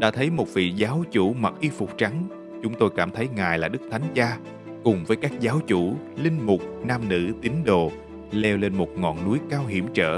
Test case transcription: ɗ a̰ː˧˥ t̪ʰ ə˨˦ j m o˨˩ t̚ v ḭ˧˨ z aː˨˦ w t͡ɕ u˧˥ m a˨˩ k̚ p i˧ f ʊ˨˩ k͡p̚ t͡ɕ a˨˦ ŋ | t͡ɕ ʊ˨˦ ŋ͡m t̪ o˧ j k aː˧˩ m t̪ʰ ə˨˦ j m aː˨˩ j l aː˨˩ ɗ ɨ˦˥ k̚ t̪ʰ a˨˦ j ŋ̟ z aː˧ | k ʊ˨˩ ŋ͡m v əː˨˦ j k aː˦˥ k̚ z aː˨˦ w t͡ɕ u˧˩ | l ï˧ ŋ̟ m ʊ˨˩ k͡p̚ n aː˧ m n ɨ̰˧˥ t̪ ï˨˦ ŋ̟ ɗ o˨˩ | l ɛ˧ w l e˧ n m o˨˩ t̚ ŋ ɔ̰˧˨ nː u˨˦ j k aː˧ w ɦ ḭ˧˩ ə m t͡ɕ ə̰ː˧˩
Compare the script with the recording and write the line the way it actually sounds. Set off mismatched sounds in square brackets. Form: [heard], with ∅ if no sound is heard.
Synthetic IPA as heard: ɗ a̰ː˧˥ t̪ʰ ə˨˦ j m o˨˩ t̚ v ḭ˧˨ z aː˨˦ w t͡ɕ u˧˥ m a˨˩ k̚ [ʔ] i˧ f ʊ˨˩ k͡p̚ t͡ɕ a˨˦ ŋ | t͡ɕ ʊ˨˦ ŋ͡m t̪ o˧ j k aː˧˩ m t̪ʰ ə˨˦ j [ŋ] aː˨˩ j l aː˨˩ ɗ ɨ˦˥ k̚ t̪ʰ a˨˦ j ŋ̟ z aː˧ | k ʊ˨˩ ŋ͡m v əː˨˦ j k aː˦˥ k̚ z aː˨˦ w t͡ɕ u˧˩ | l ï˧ ŋ̟ m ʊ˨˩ k͡p̚ n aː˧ m n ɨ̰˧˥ t̪ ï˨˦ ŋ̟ ɗ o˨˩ | l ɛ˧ w l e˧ n m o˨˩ t̚ ŋ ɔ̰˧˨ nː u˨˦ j k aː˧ w ɦ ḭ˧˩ ə m t͡ɕ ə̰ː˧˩